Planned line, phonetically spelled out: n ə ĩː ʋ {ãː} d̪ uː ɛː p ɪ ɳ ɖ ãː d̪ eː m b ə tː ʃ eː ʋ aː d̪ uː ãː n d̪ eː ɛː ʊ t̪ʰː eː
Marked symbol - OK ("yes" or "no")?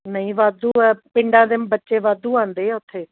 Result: no